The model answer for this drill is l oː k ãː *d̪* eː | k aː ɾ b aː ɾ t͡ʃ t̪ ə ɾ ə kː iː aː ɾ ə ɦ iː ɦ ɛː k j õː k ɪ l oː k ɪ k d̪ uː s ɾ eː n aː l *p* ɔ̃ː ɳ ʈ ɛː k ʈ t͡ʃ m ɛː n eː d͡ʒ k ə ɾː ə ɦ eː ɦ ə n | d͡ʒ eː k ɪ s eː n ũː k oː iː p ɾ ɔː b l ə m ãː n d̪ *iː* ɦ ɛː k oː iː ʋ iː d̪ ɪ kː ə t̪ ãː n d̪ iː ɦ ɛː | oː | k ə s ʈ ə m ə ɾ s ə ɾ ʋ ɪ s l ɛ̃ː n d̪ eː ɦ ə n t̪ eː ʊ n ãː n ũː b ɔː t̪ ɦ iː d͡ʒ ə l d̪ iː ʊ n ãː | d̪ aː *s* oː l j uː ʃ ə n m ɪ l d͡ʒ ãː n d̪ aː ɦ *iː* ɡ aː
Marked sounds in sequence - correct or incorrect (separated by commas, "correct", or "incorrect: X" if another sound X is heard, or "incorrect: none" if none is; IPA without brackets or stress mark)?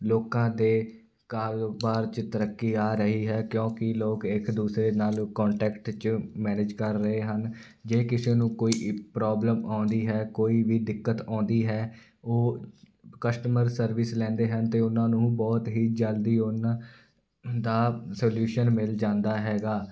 correct, incorrect: k, correct, correct, incorrect: ɛː